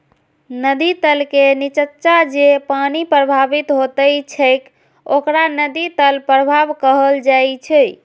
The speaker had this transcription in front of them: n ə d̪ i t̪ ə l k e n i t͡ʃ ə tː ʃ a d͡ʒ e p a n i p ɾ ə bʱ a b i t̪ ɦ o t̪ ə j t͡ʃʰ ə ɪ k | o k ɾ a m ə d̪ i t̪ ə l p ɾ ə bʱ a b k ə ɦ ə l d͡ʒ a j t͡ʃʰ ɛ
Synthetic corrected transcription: n ə d̪ i t̪ ə l k e n i t͡ʃ ə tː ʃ a d͡ʒ e p a n i p ɾ ə bʱ a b i t̪ ɦ o t̪ ə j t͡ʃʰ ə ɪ k | o k ɾ a n ə d̪ i t̪ ə l p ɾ ə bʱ a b k ə ɦ ə l d͡ʒ a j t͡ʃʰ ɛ